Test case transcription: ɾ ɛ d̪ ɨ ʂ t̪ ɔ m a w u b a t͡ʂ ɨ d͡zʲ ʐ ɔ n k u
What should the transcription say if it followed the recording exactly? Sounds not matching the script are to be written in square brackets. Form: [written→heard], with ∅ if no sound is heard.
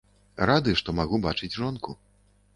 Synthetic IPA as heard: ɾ [ɛ→a] d̪ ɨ ʂ t̪ ɔ m a [w→ɣ] u b a t͡ʂ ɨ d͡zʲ ʐ ɔ n k u